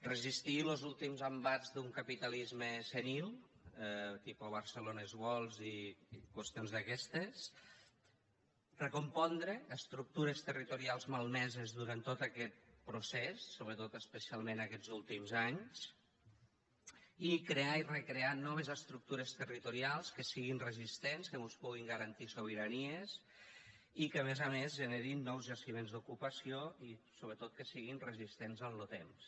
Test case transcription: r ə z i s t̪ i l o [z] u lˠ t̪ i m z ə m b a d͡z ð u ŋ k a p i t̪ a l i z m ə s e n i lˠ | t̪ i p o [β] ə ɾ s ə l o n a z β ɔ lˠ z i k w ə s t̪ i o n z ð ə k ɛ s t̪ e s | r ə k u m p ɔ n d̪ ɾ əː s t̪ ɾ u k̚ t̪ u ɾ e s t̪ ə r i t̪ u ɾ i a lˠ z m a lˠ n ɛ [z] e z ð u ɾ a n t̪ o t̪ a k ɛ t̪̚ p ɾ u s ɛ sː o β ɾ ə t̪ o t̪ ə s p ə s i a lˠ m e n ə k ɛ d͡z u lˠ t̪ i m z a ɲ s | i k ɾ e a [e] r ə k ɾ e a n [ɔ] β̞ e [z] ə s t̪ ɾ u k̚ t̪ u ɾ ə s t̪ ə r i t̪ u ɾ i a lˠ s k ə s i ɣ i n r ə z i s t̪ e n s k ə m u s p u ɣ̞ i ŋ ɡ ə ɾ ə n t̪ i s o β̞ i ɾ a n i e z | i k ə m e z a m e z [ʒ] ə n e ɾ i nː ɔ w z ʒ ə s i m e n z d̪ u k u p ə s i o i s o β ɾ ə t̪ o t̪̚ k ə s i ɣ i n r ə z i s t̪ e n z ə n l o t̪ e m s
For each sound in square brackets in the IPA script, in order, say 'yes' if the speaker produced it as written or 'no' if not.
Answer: yes, yes, yes, no, yes, yes, yes

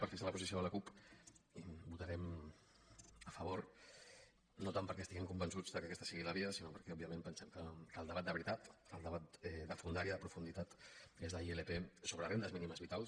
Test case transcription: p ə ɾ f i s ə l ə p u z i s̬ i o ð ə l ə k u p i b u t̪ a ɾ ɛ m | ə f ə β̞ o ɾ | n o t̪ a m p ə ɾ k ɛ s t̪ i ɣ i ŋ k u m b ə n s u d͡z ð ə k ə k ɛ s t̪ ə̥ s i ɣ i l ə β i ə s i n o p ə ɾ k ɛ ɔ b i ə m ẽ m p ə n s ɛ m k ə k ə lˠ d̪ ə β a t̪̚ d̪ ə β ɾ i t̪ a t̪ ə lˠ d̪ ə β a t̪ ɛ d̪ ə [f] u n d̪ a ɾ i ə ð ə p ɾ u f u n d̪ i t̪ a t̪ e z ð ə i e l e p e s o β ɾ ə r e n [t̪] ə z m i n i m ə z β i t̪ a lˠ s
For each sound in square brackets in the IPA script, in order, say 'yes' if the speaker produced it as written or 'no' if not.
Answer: yes, no

